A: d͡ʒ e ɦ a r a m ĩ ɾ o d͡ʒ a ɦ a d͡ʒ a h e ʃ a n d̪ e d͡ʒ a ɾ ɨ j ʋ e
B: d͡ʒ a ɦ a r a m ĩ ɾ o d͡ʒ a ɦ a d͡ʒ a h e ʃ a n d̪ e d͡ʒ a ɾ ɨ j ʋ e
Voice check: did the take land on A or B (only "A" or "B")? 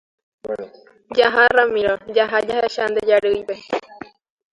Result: B